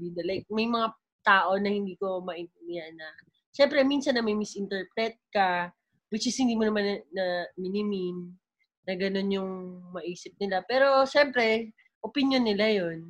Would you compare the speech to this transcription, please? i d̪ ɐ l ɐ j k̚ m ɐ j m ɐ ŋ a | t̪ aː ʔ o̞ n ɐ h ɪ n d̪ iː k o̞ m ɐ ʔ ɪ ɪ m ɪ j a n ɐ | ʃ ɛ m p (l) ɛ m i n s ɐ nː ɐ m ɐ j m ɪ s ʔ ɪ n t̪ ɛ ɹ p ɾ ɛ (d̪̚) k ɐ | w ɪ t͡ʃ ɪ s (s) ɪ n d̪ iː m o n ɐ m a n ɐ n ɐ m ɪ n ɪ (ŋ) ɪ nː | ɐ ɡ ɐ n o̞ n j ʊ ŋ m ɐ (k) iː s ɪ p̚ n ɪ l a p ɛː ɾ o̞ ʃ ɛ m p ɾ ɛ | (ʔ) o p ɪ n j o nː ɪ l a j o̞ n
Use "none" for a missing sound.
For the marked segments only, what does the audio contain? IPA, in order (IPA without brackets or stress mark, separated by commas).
ɾ, t̪̚, h, m, ʔ, ʔ